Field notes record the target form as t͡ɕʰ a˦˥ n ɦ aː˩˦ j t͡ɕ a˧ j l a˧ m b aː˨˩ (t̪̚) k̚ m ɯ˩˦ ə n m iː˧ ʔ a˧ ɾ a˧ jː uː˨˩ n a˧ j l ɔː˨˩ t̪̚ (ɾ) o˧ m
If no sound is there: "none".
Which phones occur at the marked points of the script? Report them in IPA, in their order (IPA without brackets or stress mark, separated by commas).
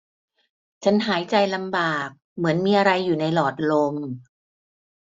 none, l